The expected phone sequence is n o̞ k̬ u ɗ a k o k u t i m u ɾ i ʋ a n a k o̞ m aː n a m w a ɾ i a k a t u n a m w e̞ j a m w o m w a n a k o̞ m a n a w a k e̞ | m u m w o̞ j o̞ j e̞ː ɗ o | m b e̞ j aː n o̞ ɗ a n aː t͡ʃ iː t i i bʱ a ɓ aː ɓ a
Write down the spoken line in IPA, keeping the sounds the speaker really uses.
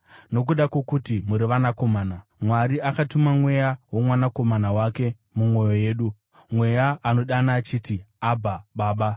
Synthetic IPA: n o̞ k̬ u ɗ a k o k u t i m u ɾ i ʋ a n a k o̞ m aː n a m w a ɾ i a k a t u m a m w e̞ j a w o m w a n a k o̞ m a n a w a k e̞ | m u m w o̞ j o̞ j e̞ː ɗ u | m w e̞ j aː n o̞ ɗ a n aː t͡ʃ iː t i a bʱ a ɓ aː ɓ a